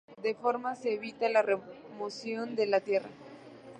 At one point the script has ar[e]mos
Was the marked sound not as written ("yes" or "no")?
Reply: no